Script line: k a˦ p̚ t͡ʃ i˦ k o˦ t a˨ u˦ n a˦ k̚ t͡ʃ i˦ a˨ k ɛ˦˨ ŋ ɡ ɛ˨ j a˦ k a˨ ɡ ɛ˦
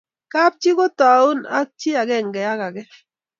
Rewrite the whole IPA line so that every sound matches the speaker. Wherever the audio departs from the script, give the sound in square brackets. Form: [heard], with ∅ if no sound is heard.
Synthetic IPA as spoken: k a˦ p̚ t͡ʃ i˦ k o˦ t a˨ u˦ n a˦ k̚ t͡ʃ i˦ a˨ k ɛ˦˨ ŋ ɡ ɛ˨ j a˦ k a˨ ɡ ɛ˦